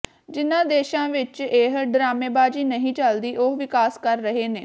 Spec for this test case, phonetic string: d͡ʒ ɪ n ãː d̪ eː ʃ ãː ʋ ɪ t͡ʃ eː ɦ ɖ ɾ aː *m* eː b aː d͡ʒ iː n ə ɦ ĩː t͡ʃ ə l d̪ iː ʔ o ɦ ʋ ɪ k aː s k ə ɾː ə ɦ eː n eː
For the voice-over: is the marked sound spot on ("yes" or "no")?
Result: yes